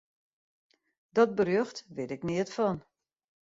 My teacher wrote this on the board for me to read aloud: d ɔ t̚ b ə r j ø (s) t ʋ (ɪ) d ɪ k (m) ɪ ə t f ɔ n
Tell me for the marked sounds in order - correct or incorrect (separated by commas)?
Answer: incorrect, correct, incorrect